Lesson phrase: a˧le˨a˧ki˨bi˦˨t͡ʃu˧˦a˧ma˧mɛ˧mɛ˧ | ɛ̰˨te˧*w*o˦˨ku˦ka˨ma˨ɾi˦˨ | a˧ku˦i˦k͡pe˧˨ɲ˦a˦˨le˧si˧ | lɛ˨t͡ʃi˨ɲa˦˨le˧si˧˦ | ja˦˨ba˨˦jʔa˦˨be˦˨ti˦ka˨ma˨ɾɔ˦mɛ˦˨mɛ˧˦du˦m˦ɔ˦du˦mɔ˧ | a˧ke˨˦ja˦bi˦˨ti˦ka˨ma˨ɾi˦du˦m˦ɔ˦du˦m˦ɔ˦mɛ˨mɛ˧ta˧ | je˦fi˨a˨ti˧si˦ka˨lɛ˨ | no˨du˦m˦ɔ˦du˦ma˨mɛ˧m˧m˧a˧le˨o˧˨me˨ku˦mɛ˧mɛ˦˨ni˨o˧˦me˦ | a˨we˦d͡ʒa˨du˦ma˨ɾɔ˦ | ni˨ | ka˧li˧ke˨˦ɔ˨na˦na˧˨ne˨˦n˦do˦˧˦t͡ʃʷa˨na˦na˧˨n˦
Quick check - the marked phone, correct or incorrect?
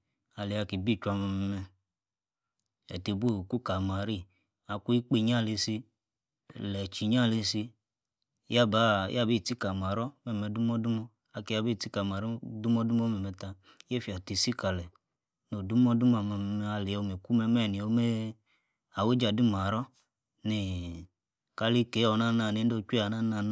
incorrect